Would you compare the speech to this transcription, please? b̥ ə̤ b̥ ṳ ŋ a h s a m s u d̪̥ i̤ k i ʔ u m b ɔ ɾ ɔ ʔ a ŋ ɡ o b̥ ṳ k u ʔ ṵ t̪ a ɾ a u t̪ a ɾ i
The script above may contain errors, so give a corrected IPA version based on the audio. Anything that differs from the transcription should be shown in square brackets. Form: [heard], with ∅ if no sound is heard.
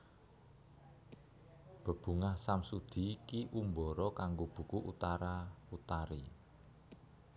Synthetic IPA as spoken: b̥ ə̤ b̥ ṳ ŋ a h s a m s u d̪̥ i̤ k i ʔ u m b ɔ ɾ ɔ [k] a ŋ ɡ o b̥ ṳ k u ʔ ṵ t̪ a ɾ a u t̪ a ɾ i